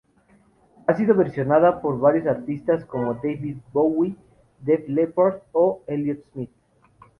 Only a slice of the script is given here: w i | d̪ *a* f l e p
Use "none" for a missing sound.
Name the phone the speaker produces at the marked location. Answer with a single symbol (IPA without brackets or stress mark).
e